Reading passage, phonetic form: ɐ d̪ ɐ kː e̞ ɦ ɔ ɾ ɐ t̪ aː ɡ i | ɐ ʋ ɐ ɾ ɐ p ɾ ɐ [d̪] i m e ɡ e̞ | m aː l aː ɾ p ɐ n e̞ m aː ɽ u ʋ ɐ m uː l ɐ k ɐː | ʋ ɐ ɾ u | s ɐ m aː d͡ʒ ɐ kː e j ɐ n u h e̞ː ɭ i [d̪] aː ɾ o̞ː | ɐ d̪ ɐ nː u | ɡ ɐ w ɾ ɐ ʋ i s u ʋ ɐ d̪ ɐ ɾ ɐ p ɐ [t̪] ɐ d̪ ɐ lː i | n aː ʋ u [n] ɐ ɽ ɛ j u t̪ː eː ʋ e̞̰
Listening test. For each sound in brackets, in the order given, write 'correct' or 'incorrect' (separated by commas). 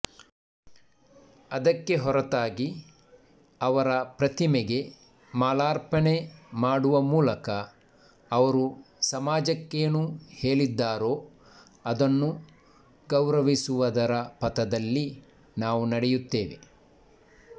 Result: incorrect, incorrect, correct, correct